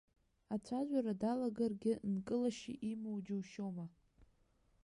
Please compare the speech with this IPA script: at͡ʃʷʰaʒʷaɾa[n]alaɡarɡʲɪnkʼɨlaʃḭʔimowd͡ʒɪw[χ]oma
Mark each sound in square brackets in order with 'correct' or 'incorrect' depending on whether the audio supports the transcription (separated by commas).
incorrect, incorrect